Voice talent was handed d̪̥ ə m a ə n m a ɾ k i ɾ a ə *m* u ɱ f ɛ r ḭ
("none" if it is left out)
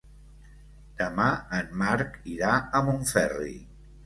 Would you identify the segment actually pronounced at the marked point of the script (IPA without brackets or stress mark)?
m